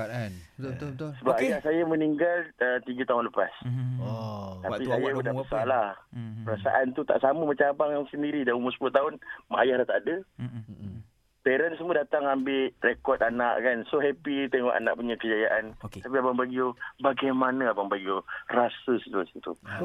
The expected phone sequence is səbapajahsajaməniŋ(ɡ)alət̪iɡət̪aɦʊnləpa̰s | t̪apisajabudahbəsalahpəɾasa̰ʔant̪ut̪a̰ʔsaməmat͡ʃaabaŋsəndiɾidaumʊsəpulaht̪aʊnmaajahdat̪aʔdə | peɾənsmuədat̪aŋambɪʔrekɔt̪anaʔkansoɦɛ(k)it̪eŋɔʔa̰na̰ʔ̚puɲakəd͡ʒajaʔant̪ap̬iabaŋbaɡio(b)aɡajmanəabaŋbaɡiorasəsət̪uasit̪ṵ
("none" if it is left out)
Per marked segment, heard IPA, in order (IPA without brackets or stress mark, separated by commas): ɡ, p, b